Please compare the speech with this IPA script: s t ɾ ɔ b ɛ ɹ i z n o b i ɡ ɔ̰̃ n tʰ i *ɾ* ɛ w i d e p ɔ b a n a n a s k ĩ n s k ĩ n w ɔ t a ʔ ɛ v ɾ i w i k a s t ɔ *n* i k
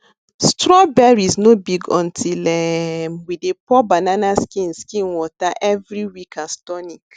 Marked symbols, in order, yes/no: no, yes

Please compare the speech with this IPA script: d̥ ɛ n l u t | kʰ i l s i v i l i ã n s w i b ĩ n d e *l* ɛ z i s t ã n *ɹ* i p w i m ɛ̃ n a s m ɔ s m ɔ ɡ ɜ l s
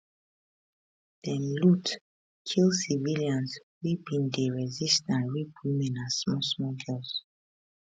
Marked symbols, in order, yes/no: no, yes

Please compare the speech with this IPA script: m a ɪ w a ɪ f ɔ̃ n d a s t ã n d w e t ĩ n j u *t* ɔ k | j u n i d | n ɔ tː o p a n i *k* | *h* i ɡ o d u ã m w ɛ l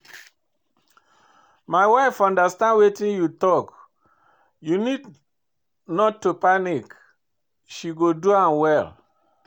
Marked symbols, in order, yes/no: yes, yes, no

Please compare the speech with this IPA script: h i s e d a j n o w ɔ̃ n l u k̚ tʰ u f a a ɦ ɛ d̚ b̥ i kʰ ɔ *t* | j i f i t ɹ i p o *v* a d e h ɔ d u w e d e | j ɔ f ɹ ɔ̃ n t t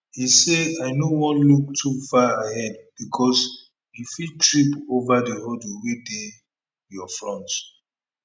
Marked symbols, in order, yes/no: no, yes

